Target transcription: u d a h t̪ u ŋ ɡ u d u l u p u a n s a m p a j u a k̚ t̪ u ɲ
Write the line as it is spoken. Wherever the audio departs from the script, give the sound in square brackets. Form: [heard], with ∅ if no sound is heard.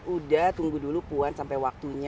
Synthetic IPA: u d a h t̪ u ŋ ɡ u d u l u p u a n s a m p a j [w] a k̚ t̪ u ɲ